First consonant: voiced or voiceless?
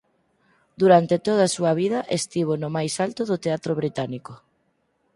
voiced